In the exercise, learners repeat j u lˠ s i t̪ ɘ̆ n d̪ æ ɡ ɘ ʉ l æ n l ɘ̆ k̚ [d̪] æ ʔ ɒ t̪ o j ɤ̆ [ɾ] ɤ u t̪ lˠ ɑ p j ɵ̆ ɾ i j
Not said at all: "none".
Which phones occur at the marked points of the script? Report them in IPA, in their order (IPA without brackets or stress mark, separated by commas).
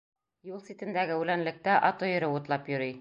t̪, ɾ